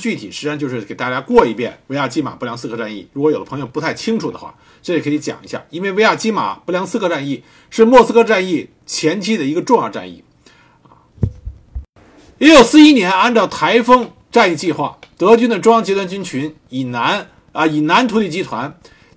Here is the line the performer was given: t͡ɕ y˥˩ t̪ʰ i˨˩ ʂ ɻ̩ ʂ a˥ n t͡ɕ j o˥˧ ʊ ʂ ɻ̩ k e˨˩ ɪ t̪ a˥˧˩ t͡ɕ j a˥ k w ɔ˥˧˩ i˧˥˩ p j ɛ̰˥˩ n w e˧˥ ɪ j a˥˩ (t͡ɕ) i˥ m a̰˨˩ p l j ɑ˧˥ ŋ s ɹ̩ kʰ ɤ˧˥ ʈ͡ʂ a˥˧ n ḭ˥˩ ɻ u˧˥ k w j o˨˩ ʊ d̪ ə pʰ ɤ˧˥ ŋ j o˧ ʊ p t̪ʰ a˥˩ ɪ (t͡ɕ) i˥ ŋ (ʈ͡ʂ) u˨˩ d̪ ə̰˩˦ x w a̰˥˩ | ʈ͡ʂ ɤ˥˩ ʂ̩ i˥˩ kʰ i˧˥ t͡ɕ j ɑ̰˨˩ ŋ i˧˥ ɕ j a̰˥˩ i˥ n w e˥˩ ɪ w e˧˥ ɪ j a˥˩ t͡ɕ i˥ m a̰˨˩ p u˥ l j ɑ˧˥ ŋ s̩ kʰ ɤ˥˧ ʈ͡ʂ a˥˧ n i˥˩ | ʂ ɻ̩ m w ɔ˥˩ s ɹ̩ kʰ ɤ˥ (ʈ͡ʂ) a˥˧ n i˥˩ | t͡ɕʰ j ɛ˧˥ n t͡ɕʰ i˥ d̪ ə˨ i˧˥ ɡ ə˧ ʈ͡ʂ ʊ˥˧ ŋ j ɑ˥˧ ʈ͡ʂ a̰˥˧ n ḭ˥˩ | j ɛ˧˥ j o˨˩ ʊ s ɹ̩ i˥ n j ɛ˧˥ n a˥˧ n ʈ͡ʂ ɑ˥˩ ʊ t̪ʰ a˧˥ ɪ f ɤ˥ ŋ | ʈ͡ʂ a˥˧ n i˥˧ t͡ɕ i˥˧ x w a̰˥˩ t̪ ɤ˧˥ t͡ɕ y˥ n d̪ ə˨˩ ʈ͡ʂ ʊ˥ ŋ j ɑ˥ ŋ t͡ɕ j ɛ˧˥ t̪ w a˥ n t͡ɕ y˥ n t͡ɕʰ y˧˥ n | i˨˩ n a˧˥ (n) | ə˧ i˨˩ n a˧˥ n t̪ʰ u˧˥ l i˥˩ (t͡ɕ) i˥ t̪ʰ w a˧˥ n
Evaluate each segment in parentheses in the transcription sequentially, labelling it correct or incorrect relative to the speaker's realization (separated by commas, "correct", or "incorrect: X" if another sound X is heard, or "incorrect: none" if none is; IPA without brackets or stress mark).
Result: correct, incorrect: t͡ɕʰ, incorrect: ʈ͡ʂʰ, correct, correct, correct